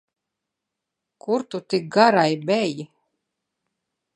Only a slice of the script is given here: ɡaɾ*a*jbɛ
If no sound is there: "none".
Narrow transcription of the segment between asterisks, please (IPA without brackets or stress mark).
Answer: a